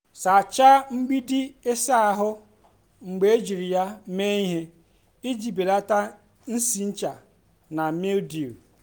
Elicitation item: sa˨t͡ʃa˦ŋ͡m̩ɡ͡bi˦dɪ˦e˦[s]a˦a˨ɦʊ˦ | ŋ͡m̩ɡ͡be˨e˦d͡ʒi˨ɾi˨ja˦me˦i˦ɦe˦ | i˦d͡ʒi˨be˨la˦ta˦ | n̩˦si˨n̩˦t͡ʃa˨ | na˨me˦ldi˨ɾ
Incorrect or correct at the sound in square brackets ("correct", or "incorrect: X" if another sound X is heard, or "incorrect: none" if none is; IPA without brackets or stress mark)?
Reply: correct